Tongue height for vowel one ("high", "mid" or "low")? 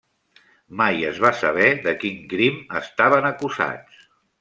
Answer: low